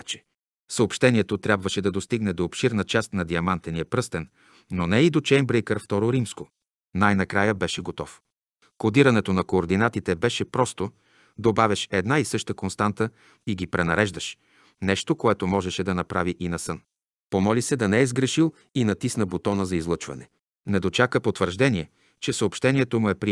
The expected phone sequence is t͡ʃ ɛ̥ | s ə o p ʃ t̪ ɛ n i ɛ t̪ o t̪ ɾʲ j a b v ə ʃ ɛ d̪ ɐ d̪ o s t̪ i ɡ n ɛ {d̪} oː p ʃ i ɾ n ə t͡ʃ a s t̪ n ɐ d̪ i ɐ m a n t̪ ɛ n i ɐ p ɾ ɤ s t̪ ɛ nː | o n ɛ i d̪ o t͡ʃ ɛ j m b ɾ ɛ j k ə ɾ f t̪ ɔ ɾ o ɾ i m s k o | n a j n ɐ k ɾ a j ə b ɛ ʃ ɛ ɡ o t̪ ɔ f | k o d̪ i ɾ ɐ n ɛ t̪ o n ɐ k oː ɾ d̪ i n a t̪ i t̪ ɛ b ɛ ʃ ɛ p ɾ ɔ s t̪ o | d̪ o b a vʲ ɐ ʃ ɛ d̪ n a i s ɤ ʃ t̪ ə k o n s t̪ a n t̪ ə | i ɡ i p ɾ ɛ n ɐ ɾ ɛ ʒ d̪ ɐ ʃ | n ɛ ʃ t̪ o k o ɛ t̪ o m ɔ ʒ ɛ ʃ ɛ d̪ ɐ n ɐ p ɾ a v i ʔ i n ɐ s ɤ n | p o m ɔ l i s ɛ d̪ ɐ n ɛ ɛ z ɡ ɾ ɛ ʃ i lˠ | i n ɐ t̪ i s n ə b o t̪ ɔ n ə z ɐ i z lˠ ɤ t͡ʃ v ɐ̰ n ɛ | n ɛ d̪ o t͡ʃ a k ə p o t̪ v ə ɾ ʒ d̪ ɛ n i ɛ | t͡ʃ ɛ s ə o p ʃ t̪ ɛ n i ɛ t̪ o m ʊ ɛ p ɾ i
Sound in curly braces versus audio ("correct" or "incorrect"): correct